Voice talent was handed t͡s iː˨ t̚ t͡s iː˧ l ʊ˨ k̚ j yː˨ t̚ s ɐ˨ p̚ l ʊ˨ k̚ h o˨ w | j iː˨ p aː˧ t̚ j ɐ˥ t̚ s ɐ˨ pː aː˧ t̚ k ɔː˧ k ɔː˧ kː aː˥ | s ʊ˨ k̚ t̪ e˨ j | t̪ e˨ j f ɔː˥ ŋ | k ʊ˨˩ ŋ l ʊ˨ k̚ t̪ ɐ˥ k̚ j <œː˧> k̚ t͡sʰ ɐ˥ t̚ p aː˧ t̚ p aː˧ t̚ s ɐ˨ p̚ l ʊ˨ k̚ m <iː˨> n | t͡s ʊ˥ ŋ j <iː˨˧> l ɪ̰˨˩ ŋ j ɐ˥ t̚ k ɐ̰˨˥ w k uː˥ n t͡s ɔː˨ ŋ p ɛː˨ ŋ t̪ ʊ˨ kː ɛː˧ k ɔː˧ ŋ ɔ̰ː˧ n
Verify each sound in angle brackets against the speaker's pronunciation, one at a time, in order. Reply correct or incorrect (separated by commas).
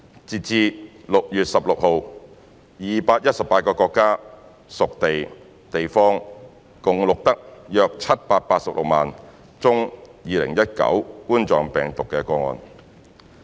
correct, incorrect, correct